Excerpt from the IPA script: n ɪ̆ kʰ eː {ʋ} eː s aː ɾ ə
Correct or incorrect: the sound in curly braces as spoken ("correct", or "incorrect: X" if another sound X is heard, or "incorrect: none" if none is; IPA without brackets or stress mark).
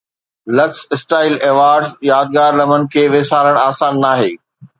correct